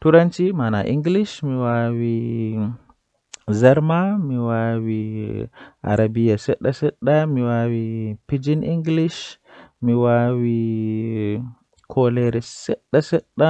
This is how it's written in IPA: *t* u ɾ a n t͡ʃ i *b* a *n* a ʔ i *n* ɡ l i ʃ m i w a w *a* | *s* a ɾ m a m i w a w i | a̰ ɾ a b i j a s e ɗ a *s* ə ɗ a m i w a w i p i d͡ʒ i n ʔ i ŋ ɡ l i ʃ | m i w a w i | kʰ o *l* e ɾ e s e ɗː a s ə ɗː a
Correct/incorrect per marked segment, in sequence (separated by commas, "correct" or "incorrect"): correct, incorrect, correct, incorrect, incorrect, incorrect, correct, correct